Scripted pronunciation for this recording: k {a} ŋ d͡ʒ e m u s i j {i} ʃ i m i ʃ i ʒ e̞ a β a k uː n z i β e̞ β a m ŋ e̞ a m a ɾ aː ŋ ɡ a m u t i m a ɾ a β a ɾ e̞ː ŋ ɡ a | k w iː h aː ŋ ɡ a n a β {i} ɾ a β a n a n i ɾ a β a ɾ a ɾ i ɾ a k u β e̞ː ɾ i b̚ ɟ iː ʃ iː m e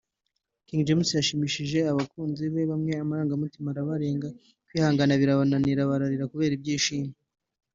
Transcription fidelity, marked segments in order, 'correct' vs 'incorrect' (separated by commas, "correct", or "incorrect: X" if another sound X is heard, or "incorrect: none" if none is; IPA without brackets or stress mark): incorrect: i, incorrect: a, correct